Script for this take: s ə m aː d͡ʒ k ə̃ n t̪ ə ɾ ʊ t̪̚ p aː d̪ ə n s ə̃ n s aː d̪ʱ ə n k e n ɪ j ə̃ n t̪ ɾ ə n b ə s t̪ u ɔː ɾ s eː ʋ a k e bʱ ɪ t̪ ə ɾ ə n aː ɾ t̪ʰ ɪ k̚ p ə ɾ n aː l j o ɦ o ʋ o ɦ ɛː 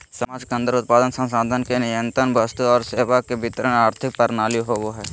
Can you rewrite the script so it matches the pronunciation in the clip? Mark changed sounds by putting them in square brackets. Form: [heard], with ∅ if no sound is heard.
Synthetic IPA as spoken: s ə m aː d͡ʒ k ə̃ n [d̪] ə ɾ ʊ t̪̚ p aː d̪ ə n s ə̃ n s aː d̪ʱ ə n k e n ɪ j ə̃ n t̪ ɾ ə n b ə s t̪ u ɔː ɾ s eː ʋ a k e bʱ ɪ t̪ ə ɾ ə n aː ɾ t̪ʰ ɪ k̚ p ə ɾ n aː l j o ɦ o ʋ o ɦ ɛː